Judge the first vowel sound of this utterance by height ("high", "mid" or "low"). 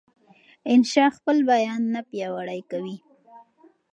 high